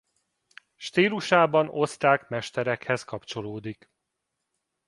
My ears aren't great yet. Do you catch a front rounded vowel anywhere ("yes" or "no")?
no